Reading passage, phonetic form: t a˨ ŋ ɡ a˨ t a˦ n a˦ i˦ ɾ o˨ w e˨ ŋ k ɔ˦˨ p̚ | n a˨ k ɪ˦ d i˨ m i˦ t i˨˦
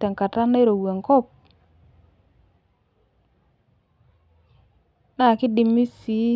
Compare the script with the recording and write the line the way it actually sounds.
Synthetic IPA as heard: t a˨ ŋ k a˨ t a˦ n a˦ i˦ ɾ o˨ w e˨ ŋ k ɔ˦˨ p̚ | n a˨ k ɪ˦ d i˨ m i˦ s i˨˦